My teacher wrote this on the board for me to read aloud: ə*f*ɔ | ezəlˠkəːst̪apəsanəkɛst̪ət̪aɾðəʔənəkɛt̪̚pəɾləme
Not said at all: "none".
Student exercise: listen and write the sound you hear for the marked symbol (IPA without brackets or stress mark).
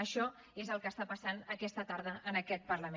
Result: ʃ